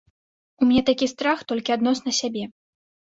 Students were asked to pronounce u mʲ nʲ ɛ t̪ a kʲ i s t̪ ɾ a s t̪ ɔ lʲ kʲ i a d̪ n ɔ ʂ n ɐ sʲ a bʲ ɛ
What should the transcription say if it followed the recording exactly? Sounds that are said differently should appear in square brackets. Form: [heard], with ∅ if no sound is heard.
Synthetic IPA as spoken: u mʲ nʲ ɛ t̪ a kʲ i s t̪ ɾ a [x] t̪ ɔ lʲ kʲ i a d̪ n ɔ [s] n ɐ sʲ a bʲ ɛ